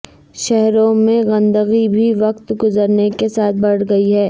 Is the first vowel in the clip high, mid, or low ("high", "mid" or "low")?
mid